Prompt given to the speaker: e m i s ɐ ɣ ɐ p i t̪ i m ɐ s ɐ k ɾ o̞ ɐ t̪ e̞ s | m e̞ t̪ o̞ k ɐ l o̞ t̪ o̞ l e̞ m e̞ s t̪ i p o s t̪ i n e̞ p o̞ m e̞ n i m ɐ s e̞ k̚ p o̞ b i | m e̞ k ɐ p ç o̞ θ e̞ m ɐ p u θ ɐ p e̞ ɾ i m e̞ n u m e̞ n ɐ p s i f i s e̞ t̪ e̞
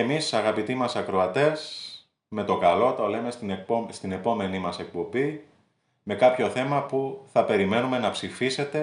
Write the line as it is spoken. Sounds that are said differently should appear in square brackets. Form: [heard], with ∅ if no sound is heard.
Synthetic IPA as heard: e m i s ɐ ɣ ɐ p i t̪ i m ɐ s ɐ k ɾ o̞ ɐ t̪ e̞ s | m e̞ t̪ o̞ k ɐ l o̞ t̪ o̞ l e̞ m e̞ s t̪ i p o s t̪ i n e̞ p o̞ m e̞ n i m ɐ s e̞ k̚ p o̞ b i | m e̞ k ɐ p ç o̞ θ e̞ m ɐ p u θ ɐ p e̞ ɾ i m e̞ n u m e̞ n ɐ p s i f i s e̞ t̪ e̞